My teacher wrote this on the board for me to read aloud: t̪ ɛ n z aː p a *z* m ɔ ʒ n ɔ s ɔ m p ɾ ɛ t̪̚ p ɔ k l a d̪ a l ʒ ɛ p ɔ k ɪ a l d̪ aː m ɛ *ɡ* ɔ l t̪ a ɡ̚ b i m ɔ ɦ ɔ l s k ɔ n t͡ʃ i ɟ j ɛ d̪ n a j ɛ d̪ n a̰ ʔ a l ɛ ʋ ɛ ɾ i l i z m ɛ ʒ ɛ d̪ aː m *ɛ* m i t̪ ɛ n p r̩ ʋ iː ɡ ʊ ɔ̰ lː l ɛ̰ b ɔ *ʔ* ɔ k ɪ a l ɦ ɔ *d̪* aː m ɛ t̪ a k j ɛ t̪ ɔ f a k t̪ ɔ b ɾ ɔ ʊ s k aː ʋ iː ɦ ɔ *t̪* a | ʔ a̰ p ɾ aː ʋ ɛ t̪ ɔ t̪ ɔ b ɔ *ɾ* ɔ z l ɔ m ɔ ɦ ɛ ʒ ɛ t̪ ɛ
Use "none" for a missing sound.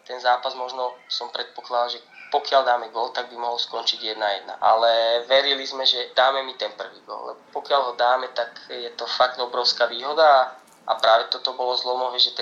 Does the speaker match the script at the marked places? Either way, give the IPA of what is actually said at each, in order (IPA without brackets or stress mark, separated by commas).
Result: z, ɡ, ɛ, p, d̪, d̪, l